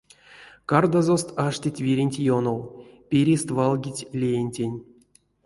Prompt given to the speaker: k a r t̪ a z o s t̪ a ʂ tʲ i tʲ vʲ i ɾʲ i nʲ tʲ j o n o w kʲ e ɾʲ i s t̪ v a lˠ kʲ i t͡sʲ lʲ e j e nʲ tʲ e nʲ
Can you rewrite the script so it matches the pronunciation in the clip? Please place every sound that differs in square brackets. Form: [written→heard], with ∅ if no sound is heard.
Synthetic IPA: k a r [t̪→d̪] a z o s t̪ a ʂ tʲ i tʲ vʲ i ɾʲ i nʲ tʲ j o n o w [kʲ→pʲ] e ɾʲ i s t̪ v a lˠ [kʲ→ɡʲ] i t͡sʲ lʲ e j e nʲ tʲ e nʲ